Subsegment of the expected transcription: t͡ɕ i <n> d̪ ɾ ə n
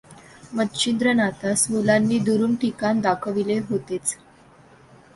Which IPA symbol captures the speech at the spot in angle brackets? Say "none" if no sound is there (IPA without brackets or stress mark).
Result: n